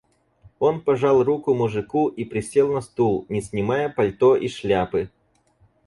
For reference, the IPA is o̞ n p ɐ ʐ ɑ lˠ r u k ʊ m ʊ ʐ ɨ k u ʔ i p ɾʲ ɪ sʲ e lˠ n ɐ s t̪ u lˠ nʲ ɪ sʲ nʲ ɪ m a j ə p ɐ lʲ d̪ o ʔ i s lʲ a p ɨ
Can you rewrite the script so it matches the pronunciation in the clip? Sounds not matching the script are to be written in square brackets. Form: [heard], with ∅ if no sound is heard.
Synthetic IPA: o̞ n p ɐ ʐ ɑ lˠ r u k ʊ m ʊ ʐ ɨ k u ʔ i p ɾʲ ɪ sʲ e lˠ n ɐ s t̪ u lˠ nʲ ɪ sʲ nʲ ɪ m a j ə p ɐ lʲ [t̪] o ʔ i [ʂ] lʲ a p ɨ